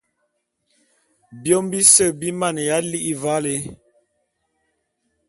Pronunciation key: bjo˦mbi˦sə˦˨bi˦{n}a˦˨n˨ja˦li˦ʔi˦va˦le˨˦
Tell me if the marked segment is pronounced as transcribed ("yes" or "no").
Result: no